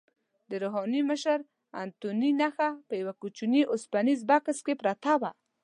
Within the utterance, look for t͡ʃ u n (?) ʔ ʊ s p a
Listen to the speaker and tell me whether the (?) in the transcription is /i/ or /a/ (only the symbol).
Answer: i